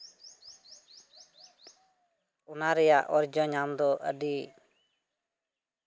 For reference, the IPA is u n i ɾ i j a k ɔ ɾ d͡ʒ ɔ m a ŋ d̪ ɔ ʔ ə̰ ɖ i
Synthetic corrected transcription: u n a ɾ ɛ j a ʔ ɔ ɾ d͡ʒ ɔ ɲ a m d̪ ɔ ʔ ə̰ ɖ i